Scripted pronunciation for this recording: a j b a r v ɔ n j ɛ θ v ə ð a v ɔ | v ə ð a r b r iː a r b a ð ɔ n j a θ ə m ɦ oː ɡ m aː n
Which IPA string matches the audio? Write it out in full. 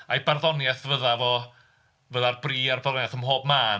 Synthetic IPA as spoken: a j b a r ð ɔ n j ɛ θ v ə ð a v ɔ | v ə ð a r b r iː a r b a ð ɔ n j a θ ə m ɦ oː b m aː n